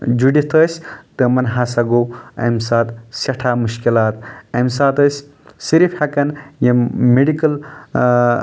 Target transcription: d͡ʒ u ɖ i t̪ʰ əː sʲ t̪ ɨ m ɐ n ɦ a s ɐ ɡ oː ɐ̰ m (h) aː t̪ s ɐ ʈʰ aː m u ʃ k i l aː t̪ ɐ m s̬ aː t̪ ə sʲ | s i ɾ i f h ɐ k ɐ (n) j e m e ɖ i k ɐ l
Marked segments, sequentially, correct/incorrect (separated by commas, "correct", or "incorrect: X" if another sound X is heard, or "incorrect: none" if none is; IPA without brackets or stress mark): incorrect: s, correct